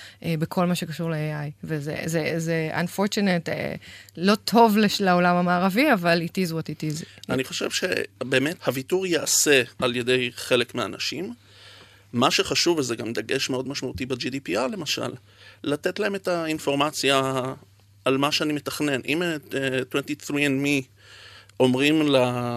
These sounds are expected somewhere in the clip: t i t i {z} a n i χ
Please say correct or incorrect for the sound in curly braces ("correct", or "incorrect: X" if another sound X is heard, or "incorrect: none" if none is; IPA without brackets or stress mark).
correct